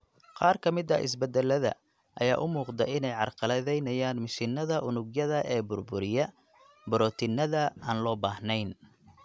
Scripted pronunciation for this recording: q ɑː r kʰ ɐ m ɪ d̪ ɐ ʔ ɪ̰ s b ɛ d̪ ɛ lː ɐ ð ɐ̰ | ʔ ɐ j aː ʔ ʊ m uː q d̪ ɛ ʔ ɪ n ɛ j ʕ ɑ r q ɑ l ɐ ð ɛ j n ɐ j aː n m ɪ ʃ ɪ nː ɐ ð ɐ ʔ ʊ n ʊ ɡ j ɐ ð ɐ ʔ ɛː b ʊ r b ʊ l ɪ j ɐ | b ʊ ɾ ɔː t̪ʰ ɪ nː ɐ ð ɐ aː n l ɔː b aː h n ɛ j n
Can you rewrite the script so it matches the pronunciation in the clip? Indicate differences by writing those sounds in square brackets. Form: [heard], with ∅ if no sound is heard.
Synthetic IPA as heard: q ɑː r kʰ ɐ m ɪ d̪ ɐ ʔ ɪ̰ s b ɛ d̪ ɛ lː ɐ ð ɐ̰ | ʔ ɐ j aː ʔ ʊ m uː q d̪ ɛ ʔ ɪ n ɛ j ʕ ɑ r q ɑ l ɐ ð ɛ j n ɐ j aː n m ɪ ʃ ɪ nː ɐ ð ɐ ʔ ʊ n ʊ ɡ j ɐ ð ɐ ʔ ɛː b ʊ r b ʊ [ɾ] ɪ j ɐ | b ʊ ɾ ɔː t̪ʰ ɪ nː ɐ ð ɐ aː n l ɔː b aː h n ɛ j n